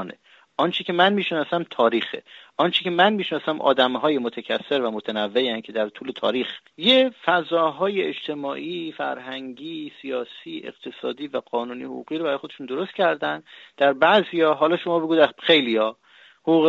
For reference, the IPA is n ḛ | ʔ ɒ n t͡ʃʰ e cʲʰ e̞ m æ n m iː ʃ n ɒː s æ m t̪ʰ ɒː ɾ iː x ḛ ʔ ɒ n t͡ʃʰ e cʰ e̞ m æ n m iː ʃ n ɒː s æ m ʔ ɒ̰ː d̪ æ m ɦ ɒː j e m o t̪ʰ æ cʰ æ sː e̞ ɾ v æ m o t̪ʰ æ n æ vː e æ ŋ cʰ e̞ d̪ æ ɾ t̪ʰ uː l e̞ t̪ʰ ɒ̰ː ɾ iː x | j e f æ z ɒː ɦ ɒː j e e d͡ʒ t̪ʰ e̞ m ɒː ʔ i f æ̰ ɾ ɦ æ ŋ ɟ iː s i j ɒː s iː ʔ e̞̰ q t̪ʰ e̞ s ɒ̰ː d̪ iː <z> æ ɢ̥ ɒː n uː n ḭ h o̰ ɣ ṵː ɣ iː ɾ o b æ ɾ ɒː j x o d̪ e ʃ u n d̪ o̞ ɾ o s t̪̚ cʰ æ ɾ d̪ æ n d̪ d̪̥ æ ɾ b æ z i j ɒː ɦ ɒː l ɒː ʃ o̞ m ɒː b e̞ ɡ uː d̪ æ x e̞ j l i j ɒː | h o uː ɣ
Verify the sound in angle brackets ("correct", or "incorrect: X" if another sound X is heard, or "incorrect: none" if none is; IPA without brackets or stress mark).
incorrect: v